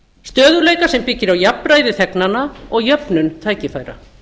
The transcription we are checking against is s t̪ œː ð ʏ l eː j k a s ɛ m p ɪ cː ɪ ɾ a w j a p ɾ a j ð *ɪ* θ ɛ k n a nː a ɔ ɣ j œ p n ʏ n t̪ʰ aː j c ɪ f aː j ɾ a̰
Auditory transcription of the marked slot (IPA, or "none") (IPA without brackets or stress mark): ɪ